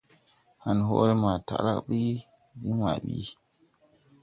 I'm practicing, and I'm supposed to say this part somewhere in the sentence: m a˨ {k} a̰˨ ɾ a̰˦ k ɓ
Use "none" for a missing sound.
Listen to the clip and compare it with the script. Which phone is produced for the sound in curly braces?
t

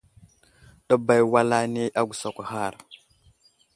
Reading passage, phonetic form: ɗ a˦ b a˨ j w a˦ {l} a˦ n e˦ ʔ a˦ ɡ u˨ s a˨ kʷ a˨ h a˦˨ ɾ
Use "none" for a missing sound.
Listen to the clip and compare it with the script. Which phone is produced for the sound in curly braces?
l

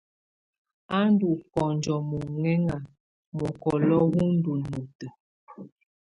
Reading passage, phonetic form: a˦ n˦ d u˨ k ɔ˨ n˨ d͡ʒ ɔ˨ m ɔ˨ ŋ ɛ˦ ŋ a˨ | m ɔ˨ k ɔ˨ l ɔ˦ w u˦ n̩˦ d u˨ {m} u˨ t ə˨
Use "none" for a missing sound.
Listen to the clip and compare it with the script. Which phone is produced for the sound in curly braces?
n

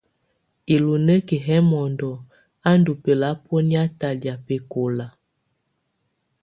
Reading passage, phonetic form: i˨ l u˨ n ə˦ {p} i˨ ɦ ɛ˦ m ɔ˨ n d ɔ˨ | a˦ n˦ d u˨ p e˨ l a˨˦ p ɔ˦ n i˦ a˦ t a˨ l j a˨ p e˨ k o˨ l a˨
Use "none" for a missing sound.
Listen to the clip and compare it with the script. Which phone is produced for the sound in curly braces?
k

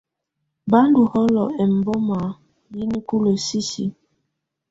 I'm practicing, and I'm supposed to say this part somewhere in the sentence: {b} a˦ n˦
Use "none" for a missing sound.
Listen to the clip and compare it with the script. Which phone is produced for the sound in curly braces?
b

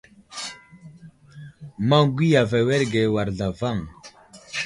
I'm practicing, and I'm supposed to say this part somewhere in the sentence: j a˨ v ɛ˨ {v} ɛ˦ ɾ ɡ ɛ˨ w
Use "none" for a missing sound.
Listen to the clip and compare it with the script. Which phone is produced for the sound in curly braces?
w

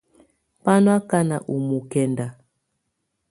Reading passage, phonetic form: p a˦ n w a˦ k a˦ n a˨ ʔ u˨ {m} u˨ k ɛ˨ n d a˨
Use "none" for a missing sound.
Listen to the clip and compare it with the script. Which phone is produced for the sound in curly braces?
m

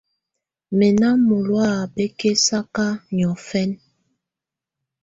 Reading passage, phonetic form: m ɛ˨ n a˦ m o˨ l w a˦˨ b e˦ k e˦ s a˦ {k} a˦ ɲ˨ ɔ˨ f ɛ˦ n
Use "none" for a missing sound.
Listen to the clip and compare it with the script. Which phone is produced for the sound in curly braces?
k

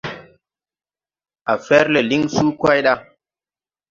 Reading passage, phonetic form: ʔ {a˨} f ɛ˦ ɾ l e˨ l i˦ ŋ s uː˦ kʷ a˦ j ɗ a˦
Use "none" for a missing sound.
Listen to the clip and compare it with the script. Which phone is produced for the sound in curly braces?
a˨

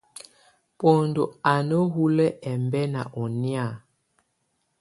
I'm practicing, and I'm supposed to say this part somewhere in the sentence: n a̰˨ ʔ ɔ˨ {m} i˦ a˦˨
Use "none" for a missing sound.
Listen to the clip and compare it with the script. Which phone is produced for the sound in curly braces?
n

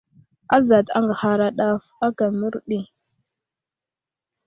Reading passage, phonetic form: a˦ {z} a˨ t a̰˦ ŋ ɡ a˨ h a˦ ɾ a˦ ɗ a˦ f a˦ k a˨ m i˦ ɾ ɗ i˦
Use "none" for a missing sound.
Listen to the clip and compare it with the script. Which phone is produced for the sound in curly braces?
z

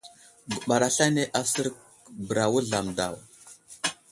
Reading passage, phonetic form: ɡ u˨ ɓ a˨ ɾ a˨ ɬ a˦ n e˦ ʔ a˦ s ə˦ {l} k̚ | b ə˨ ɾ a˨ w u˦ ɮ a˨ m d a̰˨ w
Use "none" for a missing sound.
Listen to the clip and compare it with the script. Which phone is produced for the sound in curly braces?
ɾ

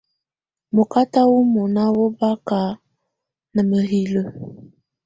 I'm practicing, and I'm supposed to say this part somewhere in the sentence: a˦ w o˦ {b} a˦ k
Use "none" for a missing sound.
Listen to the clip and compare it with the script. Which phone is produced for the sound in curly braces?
b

